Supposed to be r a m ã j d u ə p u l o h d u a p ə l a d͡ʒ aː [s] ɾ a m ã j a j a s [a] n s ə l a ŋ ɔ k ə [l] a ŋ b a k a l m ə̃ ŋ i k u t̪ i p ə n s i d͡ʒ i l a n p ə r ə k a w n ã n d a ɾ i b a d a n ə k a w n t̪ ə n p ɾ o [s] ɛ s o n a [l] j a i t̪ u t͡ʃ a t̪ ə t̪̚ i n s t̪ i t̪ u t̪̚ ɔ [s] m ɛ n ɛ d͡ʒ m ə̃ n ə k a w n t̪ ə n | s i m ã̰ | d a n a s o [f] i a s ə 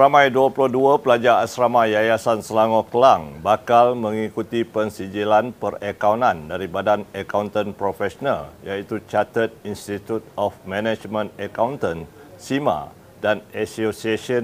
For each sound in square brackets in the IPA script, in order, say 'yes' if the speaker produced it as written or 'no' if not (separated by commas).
yes, yes, yes, no, yes, no, no